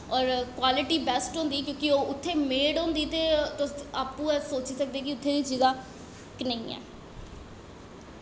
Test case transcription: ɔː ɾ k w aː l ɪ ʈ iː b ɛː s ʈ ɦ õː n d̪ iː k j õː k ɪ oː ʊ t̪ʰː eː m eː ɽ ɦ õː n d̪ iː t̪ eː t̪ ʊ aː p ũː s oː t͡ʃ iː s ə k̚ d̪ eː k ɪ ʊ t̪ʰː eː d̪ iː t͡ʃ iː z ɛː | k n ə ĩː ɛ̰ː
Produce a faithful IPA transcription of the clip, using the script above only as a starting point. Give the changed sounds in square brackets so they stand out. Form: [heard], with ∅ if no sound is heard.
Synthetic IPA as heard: ɔː ɾ k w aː l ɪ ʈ iː b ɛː s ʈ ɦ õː n d̪ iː k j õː k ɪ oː ʊ t̪ʰː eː m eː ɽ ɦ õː n d̪ iː t̪ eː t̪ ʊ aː p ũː s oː t͡ʃ iː s ə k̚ d̪ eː k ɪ ʊ t̪ʰː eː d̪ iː t͡ʃ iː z [aː] | k n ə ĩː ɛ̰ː